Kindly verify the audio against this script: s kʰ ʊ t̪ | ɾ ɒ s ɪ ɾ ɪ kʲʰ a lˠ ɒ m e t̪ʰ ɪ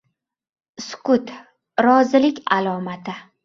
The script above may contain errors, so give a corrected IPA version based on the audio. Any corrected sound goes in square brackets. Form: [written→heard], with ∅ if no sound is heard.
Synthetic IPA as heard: s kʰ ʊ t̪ | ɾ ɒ [s→z] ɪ [ɾ→l] ɪ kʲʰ a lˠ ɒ m [e→a] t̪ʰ ɪ